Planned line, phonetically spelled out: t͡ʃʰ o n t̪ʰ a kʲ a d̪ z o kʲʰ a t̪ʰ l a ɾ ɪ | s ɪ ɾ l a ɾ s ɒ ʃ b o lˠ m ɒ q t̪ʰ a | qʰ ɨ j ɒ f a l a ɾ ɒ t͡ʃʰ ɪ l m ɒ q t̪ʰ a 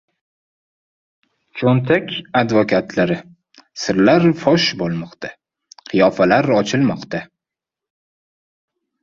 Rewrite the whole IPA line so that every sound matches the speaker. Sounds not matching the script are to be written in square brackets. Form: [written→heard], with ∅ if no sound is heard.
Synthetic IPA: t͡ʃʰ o n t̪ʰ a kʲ a d̪ [z→v] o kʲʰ a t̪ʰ l a ɾ ɪ | s ɪ ɾ l a ɾ [s→f] ɒ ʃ b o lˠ m ɒ q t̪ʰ a | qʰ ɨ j ɒ f a l a ɾ ɒ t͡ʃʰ ɪ l m ɒ q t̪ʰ a